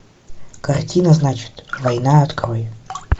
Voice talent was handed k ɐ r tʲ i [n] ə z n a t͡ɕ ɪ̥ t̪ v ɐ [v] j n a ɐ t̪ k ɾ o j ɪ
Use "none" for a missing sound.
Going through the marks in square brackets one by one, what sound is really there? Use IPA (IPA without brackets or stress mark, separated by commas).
n, none